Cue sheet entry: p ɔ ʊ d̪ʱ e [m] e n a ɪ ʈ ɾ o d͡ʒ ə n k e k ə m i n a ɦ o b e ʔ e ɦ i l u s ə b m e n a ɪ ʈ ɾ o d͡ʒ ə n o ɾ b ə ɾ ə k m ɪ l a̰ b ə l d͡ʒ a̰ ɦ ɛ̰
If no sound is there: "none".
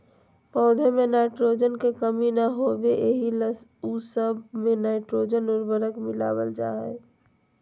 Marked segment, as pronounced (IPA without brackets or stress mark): m